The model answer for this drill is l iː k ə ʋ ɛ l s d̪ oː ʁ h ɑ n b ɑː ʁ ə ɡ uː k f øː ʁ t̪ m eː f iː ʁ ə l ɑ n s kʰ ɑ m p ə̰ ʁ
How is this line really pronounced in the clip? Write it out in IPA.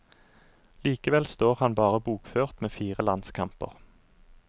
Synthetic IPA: l iː k ə ʋ ɛ l s t̪ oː ʁ h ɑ n b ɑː ʁ ə b uː k f øː ʁ t̪ m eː f iː ʁ ə l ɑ n s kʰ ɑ m p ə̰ ʁ